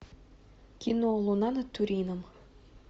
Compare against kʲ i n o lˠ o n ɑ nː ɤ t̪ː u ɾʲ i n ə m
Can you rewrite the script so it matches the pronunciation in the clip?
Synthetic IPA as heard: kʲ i n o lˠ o n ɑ n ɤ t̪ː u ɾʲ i n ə m